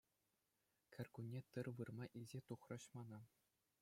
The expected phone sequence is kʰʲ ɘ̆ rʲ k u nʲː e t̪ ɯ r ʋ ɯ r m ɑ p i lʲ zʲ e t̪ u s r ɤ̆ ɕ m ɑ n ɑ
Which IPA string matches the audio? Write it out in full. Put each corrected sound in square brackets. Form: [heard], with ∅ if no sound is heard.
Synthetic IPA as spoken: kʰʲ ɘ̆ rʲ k u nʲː e t̪ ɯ r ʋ ɯ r m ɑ [ʔ] i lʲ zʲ e t̪ u [χ] r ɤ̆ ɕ m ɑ n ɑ